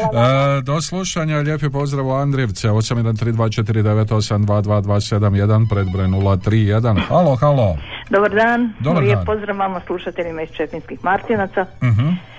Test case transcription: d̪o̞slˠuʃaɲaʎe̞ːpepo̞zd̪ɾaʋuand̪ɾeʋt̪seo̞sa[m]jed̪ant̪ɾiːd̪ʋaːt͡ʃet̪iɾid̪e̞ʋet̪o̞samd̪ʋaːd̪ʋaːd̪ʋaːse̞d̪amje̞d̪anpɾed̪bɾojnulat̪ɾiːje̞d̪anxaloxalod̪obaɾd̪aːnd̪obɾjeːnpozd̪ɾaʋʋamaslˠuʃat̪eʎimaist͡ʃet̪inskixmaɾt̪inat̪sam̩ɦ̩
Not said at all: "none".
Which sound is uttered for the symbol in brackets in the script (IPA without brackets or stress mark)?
m